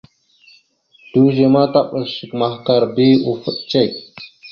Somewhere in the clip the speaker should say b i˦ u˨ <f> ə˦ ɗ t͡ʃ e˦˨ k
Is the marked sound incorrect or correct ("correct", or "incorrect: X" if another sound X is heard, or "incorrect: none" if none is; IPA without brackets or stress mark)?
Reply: correct